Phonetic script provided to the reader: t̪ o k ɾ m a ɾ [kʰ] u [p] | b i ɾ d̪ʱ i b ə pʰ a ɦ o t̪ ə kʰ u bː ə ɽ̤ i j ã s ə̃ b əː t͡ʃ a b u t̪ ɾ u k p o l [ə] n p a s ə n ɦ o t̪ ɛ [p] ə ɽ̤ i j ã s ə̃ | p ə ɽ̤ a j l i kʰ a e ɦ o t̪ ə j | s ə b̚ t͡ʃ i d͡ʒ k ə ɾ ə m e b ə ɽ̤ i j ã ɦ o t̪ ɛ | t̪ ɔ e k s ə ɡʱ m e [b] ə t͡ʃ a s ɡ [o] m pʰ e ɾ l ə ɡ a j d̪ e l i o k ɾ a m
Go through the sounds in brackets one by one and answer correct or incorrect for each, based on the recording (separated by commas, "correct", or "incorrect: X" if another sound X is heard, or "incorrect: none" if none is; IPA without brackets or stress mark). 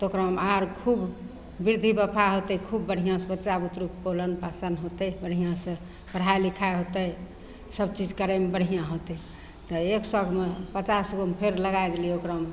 correct, incorrect: b, correct, incorrect: b, incorrect: p, correct